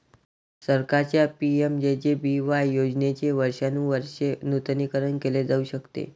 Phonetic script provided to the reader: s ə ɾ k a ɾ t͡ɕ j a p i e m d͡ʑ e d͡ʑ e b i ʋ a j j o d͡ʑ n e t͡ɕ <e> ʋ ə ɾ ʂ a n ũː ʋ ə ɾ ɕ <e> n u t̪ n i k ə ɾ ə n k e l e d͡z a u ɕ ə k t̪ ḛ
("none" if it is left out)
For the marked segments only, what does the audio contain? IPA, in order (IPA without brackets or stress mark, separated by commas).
e, e